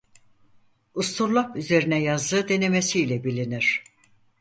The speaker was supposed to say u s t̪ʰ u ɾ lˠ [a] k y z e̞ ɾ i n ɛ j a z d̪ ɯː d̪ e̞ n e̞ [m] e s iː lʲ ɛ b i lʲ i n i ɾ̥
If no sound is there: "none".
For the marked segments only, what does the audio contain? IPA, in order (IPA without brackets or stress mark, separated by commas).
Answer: a, m